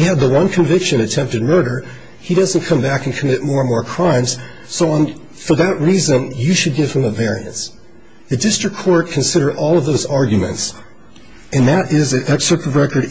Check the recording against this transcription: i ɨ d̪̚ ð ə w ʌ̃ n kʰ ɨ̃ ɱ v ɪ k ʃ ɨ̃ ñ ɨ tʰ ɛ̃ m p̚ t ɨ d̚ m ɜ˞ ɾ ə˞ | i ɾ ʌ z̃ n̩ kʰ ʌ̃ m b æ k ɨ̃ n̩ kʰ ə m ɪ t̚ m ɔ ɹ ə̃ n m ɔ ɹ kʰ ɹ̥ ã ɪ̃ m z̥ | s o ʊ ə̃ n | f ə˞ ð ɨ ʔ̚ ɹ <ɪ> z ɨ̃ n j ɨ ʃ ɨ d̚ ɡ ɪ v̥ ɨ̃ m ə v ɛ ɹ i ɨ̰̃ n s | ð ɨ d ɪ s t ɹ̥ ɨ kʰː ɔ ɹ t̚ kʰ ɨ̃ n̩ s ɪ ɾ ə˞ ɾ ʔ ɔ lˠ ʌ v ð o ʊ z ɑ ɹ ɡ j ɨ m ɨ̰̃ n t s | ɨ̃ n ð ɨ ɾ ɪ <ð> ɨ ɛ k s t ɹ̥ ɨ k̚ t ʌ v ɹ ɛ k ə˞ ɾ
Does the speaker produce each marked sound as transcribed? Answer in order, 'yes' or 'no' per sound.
no, no

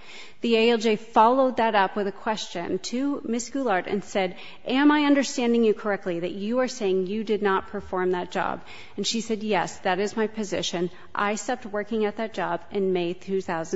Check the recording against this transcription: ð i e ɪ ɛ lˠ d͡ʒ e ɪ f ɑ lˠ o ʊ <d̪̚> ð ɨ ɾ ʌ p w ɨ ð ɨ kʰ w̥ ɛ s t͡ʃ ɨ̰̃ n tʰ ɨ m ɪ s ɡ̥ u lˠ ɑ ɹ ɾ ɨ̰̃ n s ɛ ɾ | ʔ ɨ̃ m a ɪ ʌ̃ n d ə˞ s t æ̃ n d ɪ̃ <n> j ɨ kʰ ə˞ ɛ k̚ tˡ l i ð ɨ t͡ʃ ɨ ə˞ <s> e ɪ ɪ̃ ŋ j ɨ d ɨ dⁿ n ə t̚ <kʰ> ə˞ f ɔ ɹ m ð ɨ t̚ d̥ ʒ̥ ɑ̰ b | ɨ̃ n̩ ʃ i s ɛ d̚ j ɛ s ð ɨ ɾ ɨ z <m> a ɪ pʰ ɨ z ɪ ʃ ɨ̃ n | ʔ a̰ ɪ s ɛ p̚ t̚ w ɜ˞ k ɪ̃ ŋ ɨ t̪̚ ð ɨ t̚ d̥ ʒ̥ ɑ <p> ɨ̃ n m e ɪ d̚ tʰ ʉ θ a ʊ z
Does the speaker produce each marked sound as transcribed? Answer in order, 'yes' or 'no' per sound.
yes, no, yes, no, yes, no

